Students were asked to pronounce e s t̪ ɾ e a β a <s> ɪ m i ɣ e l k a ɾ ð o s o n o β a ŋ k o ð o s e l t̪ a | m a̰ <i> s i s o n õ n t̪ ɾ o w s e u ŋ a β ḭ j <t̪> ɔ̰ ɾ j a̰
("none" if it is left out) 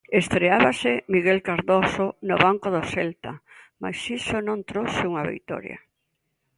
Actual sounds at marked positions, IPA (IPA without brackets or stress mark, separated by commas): s, j, t̪